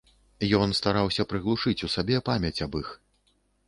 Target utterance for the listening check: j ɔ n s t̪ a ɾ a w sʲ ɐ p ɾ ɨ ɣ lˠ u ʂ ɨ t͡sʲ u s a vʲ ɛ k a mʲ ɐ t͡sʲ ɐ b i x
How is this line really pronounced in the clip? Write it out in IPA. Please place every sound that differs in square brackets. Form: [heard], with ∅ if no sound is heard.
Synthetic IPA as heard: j ɔ n s t̪ a ɾ a w sʲ ɐ p ɾ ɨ ɣ lˠ u ʂ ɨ t͡sʲ u s a [bʲ] ɛ [p] a mʲ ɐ t͡sʲ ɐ b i x